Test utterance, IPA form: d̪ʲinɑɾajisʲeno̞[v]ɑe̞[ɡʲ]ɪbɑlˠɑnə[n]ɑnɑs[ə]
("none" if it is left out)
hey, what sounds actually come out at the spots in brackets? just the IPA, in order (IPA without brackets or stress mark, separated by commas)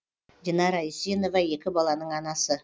v, kʲ, ɴ, ə